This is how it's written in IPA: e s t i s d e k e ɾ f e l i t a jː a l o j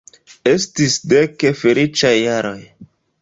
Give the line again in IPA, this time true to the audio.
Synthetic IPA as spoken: e s t i s d e k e f e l i t͡ʃ a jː a ɾ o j